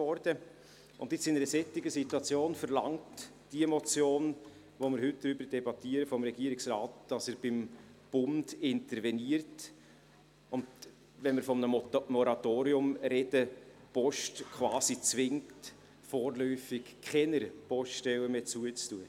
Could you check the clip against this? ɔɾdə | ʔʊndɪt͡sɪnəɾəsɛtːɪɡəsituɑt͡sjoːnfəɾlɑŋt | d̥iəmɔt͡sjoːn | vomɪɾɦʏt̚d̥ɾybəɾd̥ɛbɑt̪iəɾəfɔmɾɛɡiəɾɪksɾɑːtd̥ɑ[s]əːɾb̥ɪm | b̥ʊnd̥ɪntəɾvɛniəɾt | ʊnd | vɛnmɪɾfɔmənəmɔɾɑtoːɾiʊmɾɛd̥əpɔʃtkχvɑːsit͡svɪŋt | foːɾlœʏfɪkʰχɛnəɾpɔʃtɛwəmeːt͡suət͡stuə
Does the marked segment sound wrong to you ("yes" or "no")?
no